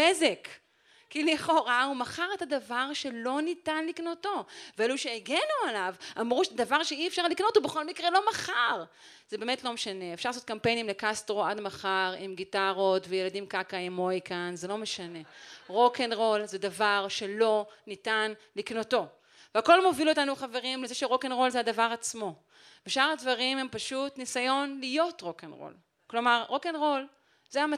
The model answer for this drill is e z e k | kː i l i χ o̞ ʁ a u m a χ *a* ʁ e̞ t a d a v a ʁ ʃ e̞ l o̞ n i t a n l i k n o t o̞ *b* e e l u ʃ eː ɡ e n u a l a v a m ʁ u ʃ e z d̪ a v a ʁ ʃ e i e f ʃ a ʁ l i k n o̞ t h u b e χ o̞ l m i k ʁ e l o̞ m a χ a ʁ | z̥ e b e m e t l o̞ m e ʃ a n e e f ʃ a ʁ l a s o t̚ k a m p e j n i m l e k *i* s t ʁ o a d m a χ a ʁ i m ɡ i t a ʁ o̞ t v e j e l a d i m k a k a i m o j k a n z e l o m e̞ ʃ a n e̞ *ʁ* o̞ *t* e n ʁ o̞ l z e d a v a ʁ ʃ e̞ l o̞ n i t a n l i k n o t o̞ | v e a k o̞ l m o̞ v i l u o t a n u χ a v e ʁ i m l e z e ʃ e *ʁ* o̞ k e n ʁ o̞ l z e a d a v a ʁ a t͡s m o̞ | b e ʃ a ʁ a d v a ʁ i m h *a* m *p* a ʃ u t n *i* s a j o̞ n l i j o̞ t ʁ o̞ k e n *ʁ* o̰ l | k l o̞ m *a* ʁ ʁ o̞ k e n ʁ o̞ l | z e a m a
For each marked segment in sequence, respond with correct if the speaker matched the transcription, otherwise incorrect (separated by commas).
correct, incorrect, incorrect, correct, incorrect, correct, incorrect, correct, correct, correct, correct